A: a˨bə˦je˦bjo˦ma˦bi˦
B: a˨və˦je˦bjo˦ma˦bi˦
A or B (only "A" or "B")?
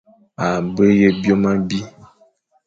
A